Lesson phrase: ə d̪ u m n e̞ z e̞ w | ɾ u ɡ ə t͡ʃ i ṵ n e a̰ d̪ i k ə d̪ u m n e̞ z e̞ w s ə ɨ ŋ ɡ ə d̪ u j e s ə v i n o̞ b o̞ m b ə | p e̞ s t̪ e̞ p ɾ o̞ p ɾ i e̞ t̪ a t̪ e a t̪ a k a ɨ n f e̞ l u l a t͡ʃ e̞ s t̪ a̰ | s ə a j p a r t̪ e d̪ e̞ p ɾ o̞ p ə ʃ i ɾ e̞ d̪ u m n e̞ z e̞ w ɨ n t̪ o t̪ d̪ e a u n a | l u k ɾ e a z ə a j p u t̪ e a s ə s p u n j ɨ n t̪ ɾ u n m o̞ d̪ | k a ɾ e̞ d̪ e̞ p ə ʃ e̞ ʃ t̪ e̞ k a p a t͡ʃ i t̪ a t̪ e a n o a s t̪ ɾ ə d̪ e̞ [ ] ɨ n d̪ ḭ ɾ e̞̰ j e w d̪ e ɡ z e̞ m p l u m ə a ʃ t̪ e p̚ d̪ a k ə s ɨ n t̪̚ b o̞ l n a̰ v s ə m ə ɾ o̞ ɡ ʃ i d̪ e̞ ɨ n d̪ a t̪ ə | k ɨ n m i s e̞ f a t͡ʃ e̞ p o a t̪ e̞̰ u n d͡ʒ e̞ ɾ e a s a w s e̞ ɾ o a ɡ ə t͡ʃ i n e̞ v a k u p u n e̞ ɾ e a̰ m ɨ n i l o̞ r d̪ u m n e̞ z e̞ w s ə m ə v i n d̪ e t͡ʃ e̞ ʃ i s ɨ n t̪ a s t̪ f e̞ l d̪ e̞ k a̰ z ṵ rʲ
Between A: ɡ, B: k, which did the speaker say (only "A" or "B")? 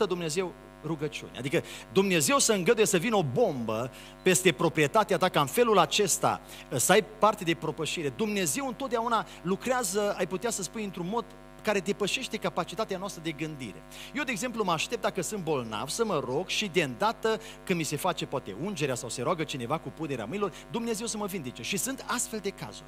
A